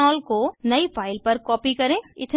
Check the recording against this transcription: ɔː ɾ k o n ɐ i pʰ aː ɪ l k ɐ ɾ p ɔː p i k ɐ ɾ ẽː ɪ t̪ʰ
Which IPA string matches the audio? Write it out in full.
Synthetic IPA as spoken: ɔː l k o n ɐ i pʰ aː ɪ l p ɐ ɾ k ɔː p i k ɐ ɾ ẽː ɪ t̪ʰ